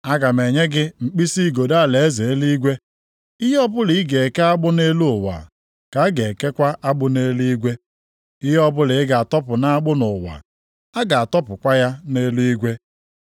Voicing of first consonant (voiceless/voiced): voiced